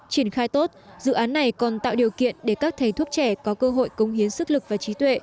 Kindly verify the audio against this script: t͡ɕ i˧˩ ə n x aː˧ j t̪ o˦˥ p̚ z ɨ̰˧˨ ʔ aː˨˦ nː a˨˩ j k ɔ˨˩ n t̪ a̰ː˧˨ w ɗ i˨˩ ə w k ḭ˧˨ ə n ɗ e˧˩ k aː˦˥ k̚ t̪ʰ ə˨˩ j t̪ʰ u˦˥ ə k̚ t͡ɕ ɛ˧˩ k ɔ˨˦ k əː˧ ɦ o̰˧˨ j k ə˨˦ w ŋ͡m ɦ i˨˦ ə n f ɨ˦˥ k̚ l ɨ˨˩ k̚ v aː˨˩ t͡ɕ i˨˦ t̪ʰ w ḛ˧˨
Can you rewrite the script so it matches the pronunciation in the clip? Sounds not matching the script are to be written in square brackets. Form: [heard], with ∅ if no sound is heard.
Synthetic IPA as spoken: t͡ɕ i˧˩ ə n x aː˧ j t̪ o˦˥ [t̚] z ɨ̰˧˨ ʔ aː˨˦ nː a˨˩ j k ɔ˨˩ n t̪ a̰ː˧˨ w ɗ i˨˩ ə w k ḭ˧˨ ə n ɗ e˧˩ k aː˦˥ k̚ t̪ʰ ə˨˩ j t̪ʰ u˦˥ ə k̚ t͡ɕ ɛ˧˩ k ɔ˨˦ k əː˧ ɦ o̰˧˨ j k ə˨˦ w ŋ͡m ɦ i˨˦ ə n [s] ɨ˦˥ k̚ l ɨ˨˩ k̚ v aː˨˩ t͡ɕ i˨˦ [t̪] w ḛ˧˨